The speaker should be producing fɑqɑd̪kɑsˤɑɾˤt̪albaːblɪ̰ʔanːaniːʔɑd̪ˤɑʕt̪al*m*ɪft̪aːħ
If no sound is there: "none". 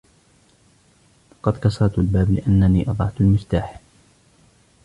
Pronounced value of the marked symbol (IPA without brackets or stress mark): m